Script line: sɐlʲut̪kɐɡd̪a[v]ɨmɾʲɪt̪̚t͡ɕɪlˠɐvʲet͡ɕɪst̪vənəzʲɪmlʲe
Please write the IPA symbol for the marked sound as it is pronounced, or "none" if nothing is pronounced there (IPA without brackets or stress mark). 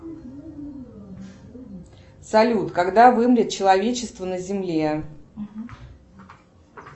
v